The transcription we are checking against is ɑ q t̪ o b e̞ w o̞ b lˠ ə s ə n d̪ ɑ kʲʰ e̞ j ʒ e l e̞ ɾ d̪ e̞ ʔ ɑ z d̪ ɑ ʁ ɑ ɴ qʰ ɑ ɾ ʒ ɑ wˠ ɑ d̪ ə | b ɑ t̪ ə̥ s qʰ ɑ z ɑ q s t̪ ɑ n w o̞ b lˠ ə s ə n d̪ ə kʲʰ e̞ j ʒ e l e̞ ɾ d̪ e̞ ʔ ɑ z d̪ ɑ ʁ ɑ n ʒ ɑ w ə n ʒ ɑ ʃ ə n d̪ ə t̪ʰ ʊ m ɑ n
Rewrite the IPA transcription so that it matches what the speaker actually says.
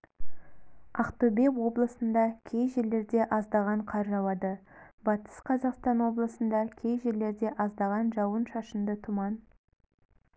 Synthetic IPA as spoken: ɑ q t̪ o b e̞ w o̞ b lˠ ə s ə n d̪ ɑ kʲʰ e̞ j ʒ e l e̞ ɾ d̪ e̞ ʔ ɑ z d̪ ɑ ʁ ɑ ɴ qʰ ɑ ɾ ʒ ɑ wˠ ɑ d̪ ə | b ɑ t̪ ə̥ s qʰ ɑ z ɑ q s t̪ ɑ n w o̞ b lˠ ə s ə n d̪ ɑ kʲʰ e̞ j ʒ e l e̞ ɾ d̪ e̞ ʔ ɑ z d̪ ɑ ʁ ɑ n ʒ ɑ w ə n ʃ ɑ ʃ ə n d̪ ə t̪ʰ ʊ m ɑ n